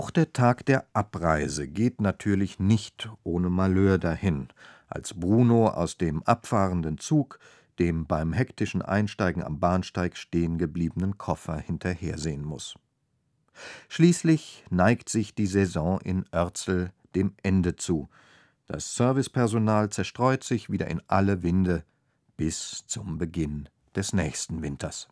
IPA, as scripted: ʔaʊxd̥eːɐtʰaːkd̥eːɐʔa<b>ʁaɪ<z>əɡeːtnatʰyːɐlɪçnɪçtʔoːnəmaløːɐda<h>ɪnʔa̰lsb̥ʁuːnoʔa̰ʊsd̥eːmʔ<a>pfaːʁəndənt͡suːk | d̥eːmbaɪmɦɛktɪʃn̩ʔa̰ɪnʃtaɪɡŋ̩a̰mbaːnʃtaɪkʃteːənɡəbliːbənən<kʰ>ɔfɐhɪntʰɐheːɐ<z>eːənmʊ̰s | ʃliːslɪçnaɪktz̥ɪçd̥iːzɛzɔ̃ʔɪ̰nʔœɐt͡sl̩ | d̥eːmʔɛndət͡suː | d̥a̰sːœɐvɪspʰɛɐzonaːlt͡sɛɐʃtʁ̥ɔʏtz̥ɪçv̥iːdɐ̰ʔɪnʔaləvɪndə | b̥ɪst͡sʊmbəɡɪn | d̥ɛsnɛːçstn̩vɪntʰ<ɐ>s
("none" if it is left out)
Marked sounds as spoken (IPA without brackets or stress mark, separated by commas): p, z, h, a, kʰ, z, ɐ